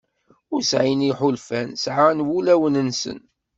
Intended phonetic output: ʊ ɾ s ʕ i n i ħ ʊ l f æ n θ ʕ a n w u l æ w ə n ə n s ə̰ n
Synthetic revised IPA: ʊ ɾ s ʕ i n i ħ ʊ l f æ n s ʕ a n w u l æ w ə n ə n s ə̰ n